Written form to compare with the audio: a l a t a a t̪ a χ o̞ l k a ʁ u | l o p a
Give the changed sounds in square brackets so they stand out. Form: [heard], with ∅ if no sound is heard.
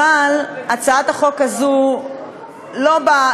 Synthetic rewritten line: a l a [t͡s] a a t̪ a χ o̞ [∅] k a [z] u | l o [b] a